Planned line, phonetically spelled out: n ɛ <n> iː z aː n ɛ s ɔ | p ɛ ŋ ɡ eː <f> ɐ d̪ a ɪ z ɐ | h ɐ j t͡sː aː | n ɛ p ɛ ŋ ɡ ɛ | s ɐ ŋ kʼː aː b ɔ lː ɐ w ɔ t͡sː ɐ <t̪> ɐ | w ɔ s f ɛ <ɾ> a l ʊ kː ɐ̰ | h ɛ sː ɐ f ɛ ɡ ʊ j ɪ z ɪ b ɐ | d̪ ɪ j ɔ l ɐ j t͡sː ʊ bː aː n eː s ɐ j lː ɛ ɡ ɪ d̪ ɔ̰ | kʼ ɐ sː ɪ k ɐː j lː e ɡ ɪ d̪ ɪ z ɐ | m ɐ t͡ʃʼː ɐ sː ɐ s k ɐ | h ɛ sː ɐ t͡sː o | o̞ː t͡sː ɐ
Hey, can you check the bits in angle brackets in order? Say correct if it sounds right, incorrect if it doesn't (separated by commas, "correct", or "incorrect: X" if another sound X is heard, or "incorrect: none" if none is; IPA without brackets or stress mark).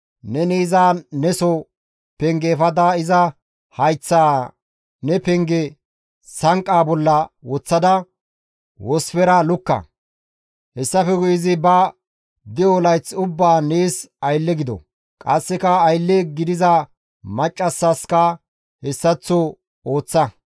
correct, correct, incorrect: d̪, correct